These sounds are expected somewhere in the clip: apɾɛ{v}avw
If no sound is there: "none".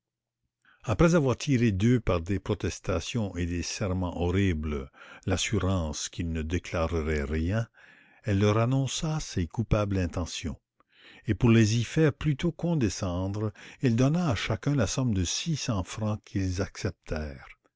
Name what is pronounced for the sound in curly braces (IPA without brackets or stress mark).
z